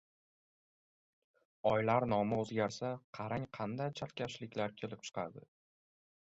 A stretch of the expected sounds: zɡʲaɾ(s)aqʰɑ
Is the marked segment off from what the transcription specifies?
no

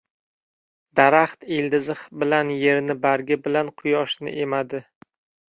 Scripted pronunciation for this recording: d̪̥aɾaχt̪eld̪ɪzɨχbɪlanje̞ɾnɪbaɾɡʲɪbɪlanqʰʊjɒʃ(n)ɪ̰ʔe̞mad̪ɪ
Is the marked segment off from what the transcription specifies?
no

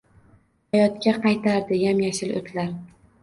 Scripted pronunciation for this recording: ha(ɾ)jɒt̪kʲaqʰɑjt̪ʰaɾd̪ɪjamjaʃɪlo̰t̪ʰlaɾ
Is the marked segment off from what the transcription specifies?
yes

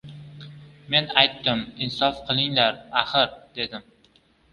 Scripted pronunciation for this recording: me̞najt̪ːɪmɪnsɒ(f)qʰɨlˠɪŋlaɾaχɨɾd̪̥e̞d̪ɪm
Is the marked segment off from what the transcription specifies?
no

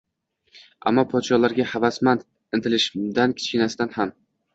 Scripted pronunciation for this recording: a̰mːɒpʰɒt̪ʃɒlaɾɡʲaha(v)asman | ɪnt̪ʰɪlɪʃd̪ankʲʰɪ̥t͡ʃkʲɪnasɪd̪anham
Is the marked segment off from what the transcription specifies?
no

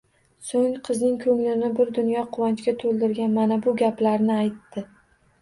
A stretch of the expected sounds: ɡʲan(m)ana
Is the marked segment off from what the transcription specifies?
no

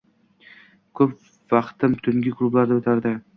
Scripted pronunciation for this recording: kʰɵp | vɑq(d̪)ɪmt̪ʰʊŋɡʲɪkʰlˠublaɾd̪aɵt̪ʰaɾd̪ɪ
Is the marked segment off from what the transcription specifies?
yes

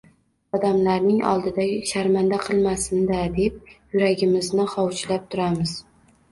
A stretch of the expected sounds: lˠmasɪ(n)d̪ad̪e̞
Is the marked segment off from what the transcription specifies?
no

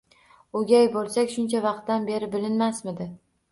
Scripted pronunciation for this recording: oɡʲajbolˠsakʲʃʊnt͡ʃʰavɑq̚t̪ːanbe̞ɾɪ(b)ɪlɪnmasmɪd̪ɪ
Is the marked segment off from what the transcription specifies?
no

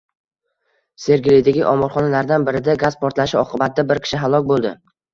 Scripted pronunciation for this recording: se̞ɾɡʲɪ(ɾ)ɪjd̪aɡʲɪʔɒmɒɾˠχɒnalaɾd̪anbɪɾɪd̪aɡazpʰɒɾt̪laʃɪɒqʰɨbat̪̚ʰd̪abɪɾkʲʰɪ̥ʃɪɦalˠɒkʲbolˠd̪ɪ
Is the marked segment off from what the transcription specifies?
yes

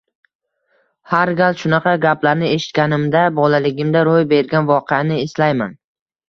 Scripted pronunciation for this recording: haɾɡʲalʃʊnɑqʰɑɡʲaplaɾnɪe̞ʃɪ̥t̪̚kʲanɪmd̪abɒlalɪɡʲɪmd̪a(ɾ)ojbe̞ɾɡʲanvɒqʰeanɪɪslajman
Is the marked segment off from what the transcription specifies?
no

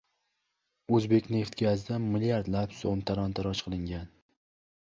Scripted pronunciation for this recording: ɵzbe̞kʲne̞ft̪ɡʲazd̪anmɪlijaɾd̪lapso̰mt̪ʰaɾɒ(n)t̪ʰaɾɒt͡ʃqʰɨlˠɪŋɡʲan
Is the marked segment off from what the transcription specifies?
no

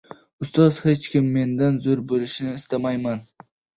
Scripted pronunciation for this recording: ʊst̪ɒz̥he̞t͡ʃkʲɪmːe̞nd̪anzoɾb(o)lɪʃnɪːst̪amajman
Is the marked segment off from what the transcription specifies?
no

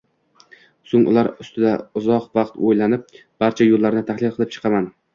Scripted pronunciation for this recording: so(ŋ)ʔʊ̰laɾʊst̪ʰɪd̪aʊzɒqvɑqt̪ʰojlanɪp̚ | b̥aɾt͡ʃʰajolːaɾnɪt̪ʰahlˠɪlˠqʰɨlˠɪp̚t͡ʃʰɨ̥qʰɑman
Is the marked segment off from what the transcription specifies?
no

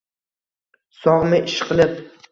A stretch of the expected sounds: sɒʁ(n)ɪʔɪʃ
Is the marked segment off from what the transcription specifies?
yes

